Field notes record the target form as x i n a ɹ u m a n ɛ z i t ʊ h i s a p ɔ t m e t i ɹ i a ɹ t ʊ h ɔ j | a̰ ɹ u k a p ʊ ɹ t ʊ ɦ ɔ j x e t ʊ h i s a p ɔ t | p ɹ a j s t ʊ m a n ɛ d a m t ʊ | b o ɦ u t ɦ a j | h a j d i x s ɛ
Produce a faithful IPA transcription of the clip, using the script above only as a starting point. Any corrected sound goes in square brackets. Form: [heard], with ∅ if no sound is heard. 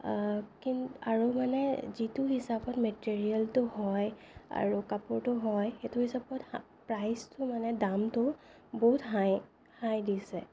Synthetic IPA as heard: [k] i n a ɹ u m a n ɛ z i t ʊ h i s a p ɔ t m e t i ɹ i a [l] t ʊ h ɔ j | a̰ ɹ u k a p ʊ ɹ t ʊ ɦ ɔ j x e t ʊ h i s a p ɔ t | p ɹ a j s t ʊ m a n ɛ d a m t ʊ | b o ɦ u t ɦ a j | h a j d i [∅] s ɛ